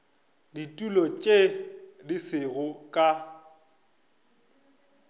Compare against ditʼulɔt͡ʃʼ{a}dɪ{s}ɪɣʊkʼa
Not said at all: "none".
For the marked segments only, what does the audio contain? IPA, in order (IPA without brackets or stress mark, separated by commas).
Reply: e, s